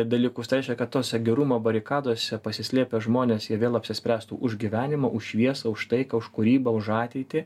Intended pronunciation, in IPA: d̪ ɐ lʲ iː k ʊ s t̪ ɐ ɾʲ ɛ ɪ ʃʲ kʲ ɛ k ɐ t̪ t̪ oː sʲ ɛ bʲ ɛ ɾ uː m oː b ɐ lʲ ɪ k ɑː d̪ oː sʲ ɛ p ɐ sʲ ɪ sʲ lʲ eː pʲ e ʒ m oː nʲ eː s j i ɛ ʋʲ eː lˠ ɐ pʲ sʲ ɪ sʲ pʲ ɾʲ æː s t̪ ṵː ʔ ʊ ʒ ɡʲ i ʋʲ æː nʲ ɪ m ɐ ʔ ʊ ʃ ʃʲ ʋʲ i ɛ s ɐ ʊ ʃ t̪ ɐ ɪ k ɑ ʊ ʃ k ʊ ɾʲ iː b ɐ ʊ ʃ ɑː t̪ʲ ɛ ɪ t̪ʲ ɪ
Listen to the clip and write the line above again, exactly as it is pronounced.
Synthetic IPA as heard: d̪ ɐ lʲ iː k ʊ s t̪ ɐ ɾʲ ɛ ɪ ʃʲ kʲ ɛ k ɐ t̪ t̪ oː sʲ ɛ ɡʲ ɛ ɾ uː m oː b ɐ ɾʲ ɪ k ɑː d̪ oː sʲ ɛ p ɐ sʲ ɪ sʲ lʲ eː pʲ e ʒ m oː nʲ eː s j i ɛ ʋʲ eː lˠ ɐ pʲ sʲ ɪ sʲ pʲ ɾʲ æː s t̪ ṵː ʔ ʊ ʒ ɡʲ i ʋʲ æː nʲ ɪ m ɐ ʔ ʊ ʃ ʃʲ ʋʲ i ɛ s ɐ ʊ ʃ t̪ ɐ ɪ k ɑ ʊ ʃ k ʊ ɾʲ iː b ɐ ʊ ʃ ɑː t̪ʲ ɛ ɪ t̪ʲ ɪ